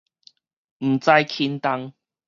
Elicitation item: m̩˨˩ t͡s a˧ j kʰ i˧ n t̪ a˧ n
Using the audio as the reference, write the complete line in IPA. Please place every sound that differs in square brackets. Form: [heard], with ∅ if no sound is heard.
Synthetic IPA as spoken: m̩˨˩ t͡s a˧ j kʰ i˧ n t̪ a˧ [ŋ]